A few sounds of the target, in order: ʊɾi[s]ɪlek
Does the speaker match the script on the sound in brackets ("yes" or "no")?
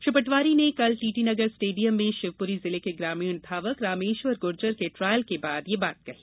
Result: no